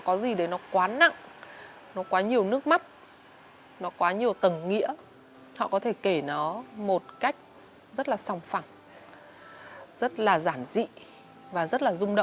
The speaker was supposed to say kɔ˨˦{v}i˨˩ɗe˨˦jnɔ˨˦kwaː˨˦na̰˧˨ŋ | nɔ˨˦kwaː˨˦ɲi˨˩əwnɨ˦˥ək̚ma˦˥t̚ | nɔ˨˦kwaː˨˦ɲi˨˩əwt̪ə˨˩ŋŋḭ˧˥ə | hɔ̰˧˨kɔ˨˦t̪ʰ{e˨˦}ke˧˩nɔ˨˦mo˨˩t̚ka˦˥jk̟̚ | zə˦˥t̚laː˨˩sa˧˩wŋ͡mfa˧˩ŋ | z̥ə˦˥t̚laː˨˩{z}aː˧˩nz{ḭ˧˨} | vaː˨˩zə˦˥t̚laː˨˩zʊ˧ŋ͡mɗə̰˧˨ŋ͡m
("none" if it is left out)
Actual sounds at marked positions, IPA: z, e˧˩, z, ḭ˧˨

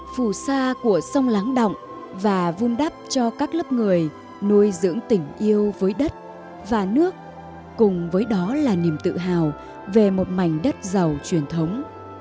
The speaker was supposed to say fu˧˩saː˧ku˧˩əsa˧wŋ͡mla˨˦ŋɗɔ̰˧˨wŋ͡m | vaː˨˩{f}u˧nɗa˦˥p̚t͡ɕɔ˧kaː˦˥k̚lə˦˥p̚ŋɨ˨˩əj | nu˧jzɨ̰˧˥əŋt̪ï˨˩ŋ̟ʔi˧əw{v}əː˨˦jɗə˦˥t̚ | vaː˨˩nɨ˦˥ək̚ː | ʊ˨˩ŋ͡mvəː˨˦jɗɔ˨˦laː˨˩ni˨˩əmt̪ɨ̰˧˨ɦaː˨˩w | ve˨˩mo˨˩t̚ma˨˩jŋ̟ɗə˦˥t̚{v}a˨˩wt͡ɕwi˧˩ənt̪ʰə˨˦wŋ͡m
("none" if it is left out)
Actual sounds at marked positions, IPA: v, v, z

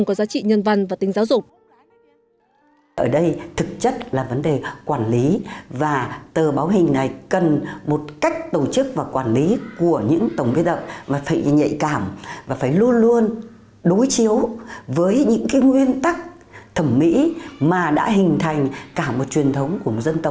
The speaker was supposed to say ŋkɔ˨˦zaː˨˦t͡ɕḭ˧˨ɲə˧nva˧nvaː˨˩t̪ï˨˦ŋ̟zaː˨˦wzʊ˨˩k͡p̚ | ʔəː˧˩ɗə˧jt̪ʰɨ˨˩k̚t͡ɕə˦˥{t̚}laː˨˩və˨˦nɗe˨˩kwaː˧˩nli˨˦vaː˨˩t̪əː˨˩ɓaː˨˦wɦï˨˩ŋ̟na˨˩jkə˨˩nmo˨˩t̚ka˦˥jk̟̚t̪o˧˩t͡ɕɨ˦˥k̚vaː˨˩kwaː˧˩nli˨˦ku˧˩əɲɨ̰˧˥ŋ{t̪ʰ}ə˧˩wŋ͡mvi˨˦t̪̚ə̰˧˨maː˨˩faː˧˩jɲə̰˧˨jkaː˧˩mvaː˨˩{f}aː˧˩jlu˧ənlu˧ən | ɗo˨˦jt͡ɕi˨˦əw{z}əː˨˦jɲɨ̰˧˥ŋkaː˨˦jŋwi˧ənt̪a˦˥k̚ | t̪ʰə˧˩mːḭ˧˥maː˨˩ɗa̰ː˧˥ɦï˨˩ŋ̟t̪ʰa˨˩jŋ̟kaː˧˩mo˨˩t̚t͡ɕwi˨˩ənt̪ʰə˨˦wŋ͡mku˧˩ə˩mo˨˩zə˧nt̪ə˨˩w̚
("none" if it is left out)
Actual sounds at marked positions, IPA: t̚, t̪, f, v

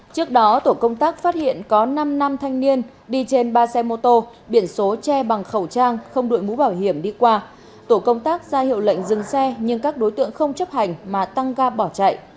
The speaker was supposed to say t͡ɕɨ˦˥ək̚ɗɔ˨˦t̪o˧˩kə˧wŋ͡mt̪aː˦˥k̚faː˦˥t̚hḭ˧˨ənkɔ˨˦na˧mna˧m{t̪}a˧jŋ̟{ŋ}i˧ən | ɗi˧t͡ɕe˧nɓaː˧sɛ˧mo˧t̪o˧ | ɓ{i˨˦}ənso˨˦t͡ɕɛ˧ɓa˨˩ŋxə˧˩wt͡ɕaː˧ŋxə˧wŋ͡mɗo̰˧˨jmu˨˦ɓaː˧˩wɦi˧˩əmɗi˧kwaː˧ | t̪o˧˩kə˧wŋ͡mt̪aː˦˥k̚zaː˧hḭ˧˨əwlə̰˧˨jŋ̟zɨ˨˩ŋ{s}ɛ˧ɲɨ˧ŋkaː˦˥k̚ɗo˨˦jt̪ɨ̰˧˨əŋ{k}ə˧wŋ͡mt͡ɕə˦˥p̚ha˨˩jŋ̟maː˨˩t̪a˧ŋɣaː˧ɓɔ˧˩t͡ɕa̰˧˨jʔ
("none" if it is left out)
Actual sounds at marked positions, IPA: t̪ʰ, n, i˧˩, s, x

